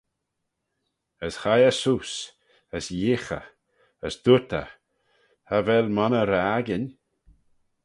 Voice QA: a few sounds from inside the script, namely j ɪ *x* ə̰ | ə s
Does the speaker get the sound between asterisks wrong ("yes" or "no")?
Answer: no